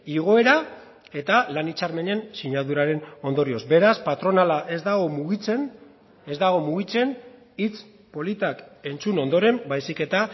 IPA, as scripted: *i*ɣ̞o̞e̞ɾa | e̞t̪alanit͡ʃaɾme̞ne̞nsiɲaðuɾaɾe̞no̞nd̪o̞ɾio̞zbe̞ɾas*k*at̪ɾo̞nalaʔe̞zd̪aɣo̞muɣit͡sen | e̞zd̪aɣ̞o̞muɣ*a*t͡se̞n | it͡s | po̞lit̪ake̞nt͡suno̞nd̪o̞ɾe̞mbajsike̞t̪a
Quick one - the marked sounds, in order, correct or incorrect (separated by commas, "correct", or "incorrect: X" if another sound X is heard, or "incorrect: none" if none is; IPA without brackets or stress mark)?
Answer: correct, incorrect: p, incorrect: i